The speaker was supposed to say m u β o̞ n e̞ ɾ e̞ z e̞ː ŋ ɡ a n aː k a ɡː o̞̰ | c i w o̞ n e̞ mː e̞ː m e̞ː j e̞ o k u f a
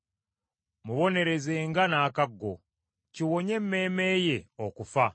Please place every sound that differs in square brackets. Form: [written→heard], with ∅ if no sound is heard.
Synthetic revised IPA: m u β o̞ n e̞ ɾ e̞ z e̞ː ŋ ɡ a n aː k a ɡː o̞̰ | c i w o̞ [n→ɲ] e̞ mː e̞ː m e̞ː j e̞ o k u f a

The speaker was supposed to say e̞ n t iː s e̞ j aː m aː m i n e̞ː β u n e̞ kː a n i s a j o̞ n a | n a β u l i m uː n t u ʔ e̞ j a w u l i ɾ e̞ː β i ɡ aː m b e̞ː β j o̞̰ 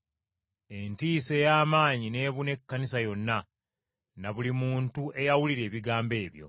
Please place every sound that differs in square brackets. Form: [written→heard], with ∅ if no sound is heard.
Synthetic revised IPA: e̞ n t iː s e̞ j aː m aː [m→ɲ] i n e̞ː β u n e̞ kː a n i s a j o̞ [n→nː] a | n a β u l i m uː n t u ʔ e̞ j a w u l i ɾ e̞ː β i ɡ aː m b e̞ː β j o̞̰

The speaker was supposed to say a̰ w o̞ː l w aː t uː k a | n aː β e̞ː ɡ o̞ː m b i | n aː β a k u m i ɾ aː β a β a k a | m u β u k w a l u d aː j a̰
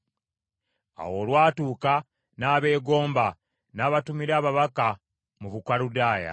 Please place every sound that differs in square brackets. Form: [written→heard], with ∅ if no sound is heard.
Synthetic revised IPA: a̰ w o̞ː l w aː t uː k a | n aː β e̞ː ɡ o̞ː m b [i→a] | n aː β a [k→t] u m i ɾ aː β a β a k a | m u β u k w a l u d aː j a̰

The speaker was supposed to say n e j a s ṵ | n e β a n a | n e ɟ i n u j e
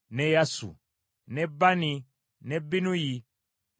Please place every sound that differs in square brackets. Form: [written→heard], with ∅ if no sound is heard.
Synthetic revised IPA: n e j a s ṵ | n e [β→b] a n [a→i] | n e [ɟ→b] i n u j [e→i]

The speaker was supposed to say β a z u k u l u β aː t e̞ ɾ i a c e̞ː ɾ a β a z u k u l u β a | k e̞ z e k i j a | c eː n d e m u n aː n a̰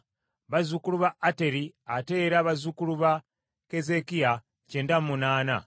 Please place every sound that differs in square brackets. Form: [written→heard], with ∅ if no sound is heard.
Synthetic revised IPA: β a z u k u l u β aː t e̞ ɾ i a [c→t] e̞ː ɾ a β a z u k u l u β a | k e̞ z e k i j a | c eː n d [e→a] m u n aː n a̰

